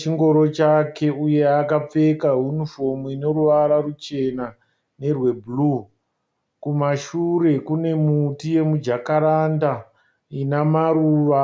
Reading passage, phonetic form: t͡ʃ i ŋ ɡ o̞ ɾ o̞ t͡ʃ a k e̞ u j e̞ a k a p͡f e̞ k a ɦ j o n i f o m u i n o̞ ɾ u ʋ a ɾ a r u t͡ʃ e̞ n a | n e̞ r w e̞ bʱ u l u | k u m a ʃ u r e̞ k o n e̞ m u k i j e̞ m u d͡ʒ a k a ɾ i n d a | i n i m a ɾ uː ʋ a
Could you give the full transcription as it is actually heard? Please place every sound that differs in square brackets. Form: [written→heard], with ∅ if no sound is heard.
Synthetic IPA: t͡ʃ i ŋ ɡ o̞ ɾ o̞ t͡ʃ a k e̞ u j e̞ a k a p͡f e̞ k a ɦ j [o→u] n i f o m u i n o̞ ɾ u ʋ a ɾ a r u t͡ʃ e̞ n a | n e̞ r w e̞ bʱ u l u | k u m a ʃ u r e̞ k [o→u] n e̞ m u [k→t] i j e̞ m u d͡ʒ a k a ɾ [i→a] n d a | i n [i→a] m a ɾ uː ʋ a

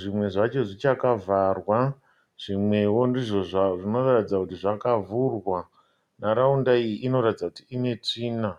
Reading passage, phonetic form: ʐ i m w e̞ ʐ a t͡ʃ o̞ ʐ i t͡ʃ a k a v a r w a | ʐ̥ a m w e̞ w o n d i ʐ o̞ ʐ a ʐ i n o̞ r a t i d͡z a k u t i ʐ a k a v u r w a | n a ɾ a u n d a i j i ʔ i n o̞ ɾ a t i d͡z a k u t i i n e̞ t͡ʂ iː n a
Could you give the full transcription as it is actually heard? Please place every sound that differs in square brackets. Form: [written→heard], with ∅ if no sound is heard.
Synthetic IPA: ʐ i m w e̞ ʐ a t͡ʃ o̞ ʐ i t͡ʃ a k a v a r w a | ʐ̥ [a→i] m w e̞ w o n d i ʐ o̞ ʐ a ʐ i n o̞ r a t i d͡z a k u t i ʐ a k a v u r w a | n a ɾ a u n d a i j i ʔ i n o̞ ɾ a t i d͡z a k u t i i n e̞ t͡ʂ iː n a

